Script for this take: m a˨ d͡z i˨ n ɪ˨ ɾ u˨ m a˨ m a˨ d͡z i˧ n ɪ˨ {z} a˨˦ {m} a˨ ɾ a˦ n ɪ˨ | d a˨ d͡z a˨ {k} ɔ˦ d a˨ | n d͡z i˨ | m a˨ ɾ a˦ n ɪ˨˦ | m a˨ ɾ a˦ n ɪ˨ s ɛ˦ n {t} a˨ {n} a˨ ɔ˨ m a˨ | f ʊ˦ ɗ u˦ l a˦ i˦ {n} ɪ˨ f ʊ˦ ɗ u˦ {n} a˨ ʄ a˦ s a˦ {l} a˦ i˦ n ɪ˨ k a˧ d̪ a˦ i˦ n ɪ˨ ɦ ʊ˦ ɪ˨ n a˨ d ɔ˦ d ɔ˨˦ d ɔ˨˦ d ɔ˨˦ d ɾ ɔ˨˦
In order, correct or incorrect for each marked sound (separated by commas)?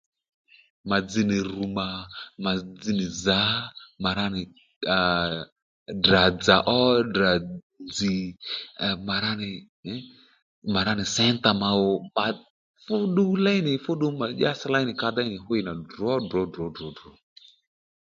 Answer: correct, correct, incorrect, correct, incorrect, correct, incorrect, correct